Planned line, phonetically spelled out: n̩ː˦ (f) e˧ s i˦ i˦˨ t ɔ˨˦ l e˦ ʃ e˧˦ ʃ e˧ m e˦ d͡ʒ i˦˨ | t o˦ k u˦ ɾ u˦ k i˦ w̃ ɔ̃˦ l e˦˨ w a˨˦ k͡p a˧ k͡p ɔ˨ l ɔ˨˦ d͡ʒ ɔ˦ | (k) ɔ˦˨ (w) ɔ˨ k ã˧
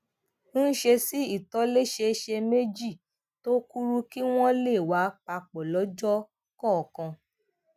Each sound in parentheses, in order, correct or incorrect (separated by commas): incorrect, correct, incorrect